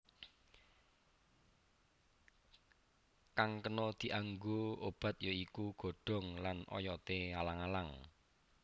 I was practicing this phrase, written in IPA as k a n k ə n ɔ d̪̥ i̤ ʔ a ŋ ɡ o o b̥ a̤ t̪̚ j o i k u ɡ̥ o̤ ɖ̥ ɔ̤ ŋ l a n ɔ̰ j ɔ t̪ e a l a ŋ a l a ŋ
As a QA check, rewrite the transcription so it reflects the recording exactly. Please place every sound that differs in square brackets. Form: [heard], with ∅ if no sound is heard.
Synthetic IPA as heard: k a [ŋ] k ə n ɔ d̪̥ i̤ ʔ a ŋ ɡ o o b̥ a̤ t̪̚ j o i k u ɡ̥ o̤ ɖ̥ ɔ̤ ŋ l a n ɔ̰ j ɔ t̪ e a l a ŋ a l a ŋ